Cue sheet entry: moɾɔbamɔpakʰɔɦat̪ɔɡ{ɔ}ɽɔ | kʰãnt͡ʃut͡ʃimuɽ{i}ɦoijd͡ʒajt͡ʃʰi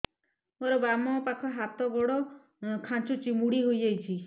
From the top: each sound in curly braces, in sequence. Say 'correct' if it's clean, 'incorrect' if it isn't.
correct, correct

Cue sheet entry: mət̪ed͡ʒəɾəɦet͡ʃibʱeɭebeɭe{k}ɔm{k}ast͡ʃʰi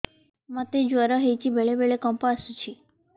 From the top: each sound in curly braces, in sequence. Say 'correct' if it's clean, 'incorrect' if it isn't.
correct, incorrect

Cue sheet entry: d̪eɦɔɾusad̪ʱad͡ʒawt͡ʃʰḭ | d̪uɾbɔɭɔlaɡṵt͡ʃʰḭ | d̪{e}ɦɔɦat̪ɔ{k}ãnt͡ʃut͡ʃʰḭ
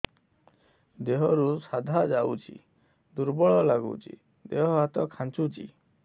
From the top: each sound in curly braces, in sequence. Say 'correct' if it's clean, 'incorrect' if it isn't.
correct, incorrect

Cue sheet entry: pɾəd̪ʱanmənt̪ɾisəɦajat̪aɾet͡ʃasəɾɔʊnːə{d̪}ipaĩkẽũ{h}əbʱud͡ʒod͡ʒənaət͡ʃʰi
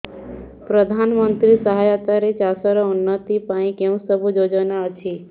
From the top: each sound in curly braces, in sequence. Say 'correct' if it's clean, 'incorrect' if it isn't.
incorrect, incorrect

